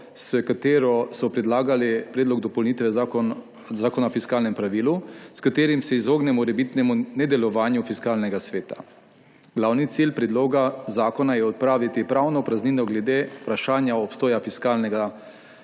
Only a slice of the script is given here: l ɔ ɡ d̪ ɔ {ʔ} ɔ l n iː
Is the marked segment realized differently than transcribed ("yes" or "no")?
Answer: yes